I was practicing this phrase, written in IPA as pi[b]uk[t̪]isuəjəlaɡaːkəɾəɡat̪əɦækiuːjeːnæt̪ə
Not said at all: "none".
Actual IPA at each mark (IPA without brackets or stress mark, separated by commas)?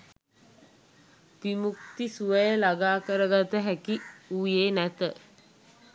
m, t̪